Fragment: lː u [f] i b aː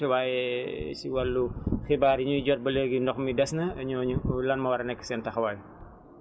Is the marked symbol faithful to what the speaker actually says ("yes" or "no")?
no